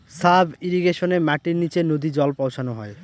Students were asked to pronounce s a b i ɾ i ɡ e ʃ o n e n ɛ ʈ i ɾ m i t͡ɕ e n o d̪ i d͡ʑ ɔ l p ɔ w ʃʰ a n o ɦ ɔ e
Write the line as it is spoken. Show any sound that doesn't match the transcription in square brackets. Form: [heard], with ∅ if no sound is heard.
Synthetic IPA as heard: s a b i ɾ i ɡ e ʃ o n e [m] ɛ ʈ i ɾ [n] i t͡ɕ e n o d̪ i d͡ʑ ɔ l p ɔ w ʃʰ a n o ɦ ɔ e